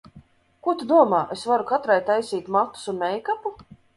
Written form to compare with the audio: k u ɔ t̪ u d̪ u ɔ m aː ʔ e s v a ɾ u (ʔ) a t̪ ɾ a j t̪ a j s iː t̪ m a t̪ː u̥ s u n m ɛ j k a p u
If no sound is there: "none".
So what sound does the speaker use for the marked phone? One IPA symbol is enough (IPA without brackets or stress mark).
k